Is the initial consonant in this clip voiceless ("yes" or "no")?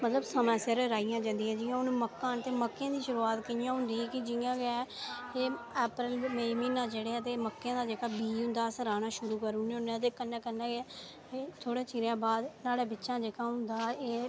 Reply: no